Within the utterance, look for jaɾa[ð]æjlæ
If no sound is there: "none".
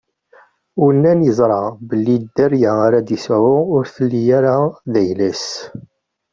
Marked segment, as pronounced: ð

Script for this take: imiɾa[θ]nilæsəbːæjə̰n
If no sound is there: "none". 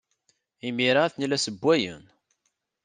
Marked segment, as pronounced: θ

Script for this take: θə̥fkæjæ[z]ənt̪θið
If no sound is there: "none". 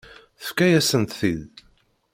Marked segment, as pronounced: s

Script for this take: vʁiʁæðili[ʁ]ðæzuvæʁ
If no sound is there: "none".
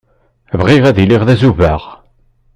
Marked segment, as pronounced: ʁ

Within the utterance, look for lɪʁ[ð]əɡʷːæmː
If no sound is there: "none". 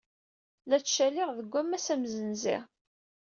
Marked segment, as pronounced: ð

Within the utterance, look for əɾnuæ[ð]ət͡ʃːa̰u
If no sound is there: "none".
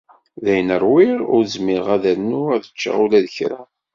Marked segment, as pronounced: ð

